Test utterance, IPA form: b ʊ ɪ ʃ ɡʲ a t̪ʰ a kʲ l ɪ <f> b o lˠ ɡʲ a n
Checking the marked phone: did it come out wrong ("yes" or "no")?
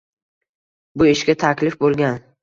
no